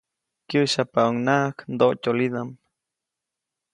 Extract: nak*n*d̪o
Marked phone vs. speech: correct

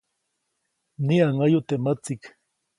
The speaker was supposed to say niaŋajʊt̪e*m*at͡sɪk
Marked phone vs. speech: correct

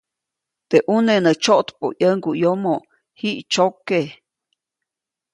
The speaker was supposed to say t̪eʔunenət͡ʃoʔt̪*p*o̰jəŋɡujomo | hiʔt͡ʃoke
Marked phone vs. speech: correct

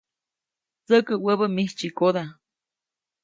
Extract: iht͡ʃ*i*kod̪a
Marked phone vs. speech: correct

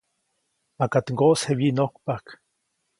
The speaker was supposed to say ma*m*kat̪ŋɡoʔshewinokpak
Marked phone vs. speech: incorrect: none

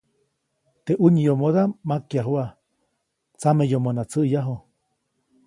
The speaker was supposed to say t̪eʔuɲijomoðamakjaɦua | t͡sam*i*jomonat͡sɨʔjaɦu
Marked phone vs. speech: incorrect: e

